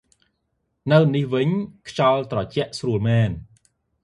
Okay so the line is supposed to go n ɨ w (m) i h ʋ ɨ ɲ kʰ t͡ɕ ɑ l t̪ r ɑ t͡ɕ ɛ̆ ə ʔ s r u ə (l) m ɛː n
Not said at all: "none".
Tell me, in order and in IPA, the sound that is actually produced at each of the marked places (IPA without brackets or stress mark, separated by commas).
n, l